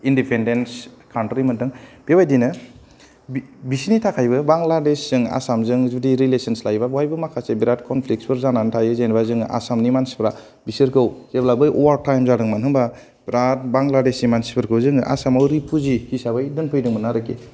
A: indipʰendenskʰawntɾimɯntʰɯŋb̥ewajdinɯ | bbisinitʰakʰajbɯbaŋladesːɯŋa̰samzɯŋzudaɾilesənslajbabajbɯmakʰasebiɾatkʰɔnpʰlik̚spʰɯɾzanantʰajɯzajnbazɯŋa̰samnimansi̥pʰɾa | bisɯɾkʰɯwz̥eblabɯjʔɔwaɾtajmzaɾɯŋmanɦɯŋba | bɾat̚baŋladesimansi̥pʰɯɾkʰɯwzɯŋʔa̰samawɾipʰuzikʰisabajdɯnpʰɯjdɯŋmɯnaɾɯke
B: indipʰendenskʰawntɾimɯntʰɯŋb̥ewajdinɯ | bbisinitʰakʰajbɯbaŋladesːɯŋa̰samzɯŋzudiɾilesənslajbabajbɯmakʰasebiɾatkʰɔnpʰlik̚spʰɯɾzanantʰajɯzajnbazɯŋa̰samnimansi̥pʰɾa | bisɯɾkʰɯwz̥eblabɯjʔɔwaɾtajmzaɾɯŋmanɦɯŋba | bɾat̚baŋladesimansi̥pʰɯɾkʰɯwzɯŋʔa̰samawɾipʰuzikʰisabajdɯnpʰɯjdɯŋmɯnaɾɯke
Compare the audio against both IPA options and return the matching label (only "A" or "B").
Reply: B